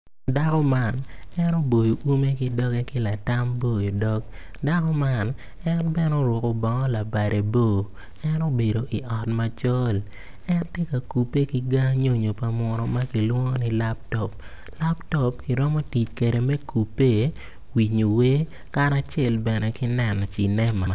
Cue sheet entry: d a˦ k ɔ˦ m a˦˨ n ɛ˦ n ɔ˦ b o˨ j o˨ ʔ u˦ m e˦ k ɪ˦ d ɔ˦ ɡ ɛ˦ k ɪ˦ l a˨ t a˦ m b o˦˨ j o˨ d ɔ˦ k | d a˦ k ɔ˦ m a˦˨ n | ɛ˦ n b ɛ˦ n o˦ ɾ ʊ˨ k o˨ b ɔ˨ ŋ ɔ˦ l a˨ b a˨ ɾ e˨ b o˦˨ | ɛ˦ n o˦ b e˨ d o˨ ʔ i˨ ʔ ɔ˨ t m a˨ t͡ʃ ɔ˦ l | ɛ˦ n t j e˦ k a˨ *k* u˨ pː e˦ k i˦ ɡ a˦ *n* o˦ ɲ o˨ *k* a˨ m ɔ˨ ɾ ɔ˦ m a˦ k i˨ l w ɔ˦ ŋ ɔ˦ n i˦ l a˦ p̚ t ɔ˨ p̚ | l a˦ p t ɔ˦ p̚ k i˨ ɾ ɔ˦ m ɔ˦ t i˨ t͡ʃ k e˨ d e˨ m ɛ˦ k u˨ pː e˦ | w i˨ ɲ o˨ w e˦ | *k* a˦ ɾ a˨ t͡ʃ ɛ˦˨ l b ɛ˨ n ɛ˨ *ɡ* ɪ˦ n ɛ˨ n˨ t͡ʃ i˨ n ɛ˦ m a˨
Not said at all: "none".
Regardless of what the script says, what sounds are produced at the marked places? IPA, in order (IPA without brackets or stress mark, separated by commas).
k, ɲ, p, k, k